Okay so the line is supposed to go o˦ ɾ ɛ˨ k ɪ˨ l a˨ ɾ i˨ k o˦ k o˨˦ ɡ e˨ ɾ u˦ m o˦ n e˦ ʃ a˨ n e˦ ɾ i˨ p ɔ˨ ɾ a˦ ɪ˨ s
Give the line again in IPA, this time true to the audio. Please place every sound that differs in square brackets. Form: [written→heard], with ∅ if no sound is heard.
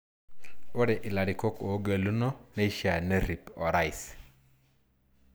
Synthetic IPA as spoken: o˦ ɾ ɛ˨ [k→ʔ] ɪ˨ l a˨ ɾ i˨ k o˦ k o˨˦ ɡ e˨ [ɾ→l] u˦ [m→n] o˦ n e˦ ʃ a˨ n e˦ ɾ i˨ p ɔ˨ ɾ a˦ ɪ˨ s